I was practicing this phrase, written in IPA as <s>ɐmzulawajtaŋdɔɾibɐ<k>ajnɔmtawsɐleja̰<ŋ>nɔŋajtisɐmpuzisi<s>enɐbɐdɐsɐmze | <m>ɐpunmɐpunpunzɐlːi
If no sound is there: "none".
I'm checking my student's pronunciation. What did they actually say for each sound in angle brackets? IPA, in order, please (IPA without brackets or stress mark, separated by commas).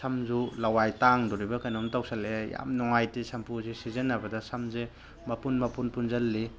s, k, m, z, m